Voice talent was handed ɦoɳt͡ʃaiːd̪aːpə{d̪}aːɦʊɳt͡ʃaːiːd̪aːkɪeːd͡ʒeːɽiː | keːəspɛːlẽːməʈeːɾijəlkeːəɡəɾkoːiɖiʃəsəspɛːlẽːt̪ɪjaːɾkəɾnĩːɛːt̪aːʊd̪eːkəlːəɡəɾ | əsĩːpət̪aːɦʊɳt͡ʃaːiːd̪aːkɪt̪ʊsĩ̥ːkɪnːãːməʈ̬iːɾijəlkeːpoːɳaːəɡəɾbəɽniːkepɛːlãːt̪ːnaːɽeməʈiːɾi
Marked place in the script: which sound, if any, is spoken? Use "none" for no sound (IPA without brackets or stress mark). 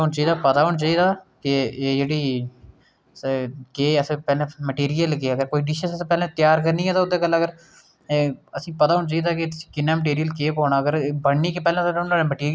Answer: t̪